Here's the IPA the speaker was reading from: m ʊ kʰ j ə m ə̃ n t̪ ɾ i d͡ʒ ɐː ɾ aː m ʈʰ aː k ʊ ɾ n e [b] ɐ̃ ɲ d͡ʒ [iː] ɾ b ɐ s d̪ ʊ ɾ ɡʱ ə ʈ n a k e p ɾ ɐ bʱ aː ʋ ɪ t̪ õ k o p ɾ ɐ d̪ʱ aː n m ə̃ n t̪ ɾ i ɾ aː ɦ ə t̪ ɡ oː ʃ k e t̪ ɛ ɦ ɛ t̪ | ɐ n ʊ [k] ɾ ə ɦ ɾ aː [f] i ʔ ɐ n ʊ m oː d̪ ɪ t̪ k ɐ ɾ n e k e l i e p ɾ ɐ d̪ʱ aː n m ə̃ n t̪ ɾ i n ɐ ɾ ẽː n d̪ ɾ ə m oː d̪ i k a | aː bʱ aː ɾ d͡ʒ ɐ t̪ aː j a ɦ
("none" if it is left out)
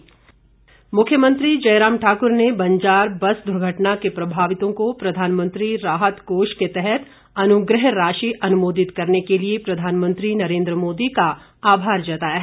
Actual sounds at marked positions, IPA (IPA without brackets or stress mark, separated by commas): b, aː, ɡ, ʃ